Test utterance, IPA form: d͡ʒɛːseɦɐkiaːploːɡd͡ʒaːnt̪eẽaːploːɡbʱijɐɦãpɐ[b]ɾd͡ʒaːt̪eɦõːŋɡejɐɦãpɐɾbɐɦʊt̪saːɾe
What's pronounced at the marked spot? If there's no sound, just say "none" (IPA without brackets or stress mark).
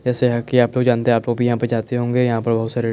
none